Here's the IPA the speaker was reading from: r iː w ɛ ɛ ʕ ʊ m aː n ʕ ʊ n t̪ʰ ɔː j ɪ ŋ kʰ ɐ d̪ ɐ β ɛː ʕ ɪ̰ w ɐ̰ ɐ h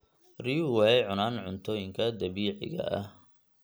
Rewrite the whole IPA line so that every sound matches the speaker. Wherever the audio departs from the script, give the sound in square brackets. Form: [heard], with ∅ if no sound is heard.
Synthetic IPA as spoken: r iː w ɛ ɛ ʕ ʊ [n] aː n ʕ ʊ n t̪ʰ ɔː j ɪ ŋ kʰ ɐ d̪ ɐ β [iː] ʕ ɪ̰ [ɣ] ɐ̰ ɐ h